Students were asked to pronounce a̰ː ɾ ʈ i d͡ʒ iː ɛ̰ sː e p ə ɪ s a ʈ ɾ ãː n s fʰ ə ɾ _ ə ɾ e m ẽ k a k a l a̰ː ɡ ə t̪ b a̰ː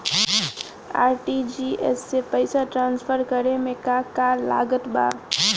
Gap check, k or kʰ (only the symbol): k